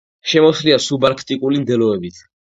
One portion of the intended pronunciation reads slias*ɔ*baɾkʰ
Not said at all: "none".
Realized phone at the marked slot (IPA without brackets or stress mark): u